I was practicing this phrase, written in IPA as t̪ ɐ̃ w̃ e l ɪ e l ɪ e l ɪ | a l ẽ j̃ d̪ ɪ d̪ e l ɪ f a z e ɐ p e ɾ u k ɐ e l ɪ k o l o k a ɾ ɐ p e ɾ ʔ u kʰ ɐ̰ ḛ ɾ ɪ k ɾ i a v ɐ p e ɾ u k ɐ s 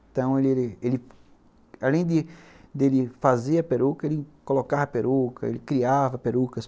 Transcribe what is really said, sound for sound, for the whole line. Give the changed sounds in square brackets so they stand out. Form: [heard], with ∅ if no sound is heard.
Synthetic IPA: t̪ ɐ̃ w̃ e l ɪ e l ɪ e l ɪ | a l ẽ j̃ d̪ ɪ d̪ e l ɪ f a z e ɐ p e ɾ u k ɐ e l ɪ k o l o k a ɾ ɐ p e ɾ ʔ u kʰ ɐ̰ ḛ [l] ɪ k ɾ i a v ɐ p e ɾ u k ɐ s